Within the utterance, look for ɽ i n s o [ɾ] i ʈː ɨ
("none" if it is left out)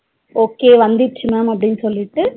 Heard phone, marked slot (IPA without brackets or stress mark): l